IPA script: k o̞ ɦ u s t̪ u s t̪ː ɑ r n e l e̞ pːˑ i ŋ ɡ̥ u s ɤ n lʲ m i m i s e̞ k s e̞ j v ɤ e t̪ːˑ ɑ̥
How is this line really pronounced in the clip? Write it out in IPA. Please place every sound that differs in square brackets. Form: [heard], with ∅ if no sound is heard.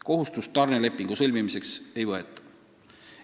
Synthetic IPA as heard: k o̞ ɦ u s t̪ u s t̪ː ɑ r n e l e̞ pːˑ i ŋ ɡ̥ u s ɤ [∅] lʲ m i m i s e̞ k s e̞ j v ɤ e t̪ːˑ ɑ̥